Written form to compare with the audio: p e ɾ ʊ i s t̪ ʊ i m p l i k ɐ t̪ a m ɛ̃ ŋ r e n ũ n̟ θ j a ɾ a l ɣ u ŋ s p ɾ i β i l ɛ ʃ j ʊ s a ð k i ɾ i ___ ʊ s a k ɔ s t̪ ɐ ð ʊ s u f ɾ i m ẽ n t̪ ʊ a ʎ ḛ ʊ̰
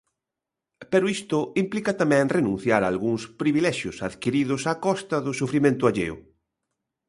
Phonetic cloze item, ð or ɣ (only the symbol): ð